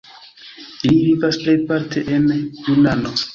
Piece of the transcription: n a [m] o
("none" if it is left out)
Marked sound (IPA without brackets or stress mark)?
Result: n